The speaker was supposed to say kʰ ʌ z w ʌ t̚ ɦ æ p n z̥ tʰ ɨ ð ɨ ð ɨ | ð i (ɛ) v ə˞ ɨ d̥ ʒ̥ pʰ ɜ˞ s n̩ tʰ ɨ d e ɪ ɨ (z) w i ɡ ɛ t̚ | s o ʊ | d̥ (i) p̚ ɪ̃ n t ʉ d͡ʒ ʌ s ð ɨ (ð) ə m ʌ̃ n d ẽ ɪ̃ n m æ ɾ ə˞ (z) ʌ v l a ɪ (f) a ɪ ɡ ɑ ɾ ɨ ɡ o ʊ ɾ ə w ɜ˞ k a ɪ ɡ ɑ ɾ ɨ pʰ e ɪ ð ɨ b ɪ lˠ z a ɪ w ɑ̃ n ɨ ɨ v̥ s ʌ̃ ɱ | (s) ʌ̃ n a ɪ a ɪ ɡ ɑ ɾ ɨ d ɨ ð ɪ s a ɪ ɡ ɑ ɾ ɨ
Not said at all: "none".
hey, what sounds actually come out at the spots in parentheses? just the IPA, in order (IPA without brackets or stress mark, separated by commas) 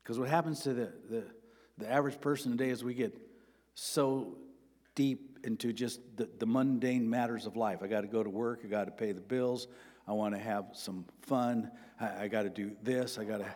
æ, z, i, ð, z, f, f